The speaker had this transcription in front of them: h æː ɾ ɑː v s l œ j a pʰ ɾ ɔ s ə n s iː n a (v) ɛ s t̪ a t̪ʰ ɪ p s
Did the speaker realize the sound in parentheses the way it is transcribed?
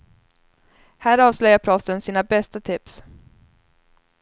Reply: no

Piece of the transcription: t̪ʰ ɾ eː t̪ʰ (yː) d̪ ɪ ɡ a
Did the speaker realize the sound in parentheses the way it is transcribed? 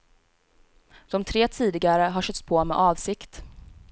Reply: no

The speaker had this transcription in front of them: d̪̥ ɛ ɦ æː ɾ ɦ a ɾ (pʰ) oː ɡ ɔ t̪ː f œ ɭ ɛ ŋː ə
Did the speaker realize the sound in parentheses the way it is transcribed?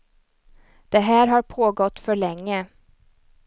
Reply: yes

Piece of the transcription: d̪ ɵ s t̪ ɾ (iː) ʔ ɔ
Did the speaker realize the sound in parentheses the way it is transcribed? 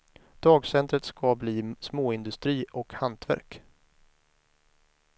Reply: yes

